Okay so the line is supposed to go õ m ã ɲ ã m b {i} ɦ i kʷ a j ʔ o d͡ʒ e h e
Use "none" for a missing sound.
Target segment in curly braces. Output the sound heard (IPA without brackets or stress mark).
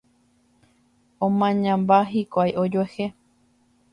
a